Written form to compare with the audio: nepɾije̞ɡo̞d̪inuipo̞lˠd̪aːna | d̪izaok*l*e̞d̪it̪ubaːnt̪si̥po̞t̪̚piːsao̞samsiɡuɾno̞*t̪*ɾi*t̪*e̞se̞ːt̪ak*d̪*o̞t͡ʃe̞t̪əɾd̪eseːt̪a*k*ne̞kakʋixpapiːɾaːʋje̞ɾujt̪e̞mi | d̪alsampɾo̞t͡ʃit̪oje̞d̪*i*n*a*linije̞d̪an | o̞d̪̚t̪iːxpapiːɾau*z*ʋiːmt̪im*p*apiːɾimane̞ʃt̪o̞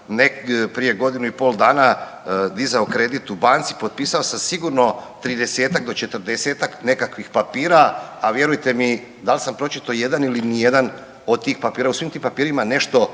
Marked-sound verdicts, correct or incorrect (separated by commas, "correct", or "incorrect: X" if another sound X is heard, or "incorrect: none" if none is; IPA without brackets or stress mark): incorrect: ɾ, correct, incorrect: d̪, correct, correct, incorrect: a, incorrect: i, incorrect: s, correct